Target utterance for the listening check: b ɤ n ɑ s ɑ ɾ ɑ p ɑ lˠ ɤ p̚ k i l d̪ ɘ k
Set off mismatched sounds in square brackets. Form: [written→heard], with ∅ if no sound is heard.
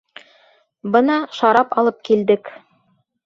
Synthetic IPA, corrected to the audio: b ɤ n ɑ [s→ʃ] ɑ ɾ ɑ p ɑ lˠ ɤ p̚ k i l d̪ ɘ k